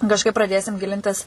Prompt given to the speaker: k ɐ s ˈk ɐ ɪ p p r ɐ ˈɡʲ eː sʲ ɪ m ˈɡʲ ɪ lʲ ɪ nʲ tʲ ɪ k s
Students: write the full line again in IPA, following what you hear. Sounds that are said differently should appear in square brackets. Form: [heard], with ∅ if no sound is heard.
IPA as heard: k ɐ [ʃ] ˈk ɐ ɪ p p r ɐ [ˈdʲ] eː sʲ ɪ m ˈɡʲ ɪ lʲ ɪ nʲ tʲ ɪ [∅] s